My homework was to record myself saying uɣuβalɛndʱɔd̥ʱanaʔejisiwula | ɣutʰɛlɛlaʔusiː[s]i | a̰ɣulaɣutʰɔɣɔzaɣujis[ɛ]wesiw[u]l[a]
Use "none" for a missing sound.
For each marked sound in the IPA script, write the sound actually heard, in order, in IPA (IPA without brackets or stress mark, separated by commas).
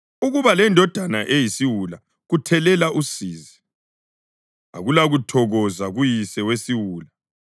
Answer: z, ɛ, uː, a